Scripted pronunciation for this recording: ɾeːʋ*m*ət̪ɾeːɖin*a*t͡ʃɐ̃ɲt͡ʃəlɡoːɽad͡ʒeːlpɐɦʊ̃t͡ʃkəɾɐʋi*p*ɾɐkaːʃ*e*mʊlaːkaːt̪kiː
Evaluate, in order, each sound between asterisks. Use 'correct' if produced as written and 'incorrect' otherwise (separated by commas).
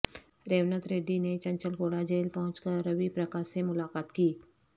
incorrect, incorrect, correct, correct